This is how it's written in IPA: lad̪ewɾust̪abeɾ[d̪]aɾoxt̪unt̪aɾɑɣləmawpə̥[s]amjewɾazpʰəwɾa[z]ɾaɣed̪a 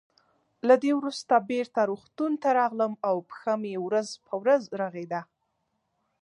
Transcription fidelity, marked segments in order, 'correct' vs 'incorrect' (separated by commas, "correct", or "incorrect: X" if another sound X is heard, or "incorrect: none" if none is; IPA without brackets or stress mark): incorrect: t̪, incorrect: x, correct